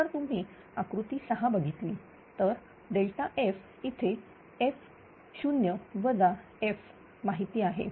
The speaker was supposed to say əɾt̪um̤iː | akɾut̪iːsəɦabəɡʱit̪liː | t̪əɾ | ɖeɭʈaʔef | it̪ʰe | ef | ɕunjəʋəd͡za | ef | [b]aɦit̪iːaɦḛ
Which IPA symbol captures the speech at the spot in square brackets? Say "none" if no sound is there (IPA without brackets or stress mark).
m